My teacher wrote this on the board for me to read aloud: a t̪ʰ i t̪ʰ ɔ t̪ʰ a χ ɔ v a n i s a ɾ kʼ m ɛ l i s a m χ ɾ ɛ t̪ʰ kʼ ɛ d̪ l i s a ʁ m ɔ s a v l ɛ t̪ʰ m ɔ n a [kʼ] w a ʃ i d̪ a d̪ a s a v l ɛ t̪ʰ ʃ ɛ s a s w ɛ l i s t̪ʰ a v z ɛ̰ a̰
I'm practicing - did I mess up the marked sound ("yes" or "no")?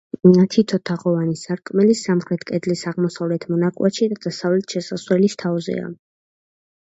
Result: no